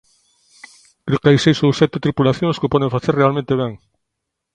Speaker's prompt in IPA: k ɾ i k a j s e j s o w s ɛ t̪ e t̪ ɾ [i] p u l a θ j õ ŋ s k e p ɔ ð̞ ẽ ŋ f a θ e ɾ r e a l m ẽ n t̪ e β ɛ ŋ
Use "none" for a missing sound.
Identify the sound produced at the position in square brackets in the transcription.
i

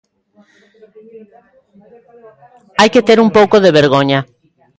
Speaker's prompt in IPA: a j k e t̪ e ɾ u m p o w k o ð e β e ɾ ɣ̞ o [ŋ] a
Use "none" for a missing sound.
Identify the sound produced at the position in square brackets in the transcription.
ɲ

